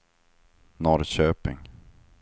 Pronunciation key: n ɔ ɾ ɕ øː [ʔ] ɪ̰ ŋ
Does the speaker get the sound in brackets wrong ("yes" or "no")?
yes